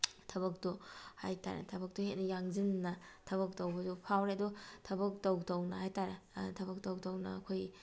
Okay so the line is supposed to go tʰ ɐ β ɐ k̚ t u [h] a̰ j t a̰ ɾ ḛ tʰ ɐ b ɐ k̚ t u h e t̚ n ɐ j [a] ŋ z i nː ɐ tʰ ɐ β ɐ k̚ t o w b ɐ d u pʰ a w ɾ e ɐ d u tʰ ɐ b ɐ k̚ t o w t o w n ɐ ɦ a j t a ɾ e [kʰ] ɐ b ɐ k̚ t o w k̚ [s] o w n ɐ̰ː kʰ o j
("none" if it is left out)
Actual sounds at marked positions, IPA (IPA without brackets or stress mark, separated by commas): h, a, tʰ, t